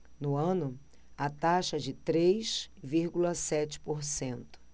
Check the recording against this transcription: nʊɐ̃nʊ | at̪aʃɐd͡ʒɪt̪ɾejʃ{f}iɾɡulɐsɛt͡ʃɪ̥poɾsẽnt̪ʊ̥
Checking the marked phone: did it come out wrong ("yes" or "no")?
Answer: yes